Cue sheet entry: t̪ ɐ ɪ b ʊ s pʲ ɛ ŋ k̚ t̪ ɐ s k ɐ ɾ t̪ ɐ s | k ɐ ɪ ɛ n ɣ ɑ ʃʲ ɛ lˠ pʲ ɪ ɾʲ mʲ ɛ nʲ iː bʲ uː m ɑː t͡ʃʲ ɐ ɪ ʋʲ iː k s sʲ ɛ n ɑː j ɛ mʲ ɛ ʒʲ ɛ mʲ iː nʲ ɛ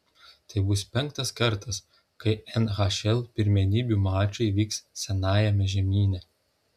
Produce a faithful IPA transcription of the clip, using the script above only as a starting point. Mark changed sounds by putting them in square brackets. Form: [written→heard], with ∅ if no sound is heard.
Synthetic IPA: t̪ ɐ ɪ b ʊ s pʲ ɛ ŋ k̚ t̪ ɐ s k ɐ ɾ t̪ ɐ s | k ɐ ɪ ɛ n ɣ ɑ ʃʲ ɛ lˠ pʲ ɪ ɾʲ mʲ ɛ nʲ iː bʲ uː m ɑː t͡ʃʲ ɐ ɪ ʋʲ iː k s sʲ ɛ n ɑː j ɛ mʲ ɛ ʒʲ ɛ mʲ iː nʲ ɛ